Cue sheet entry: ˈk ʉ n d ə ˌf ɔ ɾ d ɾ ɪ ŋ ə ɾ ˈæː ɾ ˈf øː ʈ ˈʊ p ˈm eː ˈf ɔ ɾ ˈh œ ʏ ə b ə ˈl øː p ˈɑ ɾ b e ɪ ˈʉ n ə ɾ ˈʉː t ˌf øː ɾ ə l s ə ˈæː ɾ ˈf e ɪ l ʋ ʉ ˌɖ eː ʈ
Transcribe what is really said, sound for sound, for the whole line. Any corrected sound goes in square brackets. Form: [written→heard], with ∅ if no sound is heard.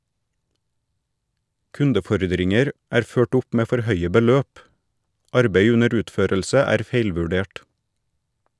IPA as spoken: ˈk ʉ n d ə ˌf ɔ ɾ d ɾ ɪ ŋ ə ɾ ˈæː ɾ ˈf øː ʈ ˈʊ p ˈm eː ˈf ɔ ɾ ˈh œ ʏ ə b ə ˈl øː p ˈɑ ɾ b e ɪ ˈʉ n ə ɾ ˈʉː t ˌf øː ɾ ə l s ə ˈæː ɾ ˈf e ɪ l ʋ ʉ ˌɖ eː ʈ